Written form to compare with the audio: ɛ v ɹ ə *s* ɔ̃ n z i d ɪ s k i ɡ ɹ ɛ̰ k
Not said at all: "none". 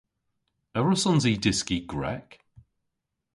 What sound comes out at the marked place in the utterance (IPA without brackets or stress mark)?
s